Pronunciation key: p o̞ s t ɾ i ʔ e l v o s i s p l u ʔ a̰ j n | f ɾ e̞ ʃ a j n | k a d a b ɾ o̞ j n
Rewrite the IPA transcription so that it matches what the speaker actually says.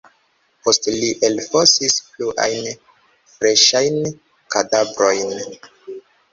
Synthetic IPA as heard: p o̞ s t l i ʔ e l f o s i s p l u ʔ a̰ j n | f ɾ e̞ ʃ a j n | k a d a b ɾ o̞ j n